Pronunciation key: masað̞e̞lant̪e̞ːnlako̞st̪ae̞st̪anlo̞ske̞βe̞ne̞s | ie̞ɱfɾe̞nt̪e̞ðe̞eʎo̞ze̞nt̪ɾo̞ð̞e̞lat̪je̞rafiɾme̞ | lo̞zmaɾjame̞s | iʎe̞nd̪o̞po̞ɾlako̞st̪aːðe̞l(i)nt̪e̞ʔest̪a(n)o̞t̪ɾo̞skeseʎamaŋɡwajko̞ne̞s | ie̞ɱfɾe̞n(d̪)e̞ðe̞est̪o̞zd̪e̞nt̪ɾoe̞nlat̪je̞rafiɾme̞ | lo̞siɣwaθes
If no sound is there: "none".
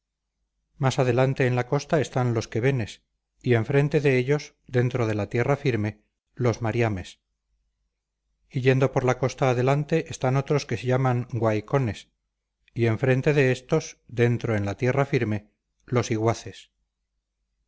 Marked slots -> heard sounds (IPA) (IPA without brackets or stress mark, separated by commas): a, n, t̪